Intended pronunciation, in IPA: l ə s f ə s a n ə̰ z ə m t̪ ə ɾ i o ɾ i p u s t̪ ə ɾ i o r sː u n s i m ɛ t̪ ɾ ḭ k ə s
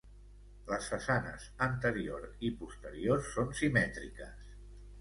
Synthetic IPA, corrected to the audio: l ə s f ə s a n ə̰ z ə n t̪ ə ɾ i o ɾ i p u s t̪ ə ɾ i o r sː o n s i m ɛ t̪ ɾ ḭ k ə s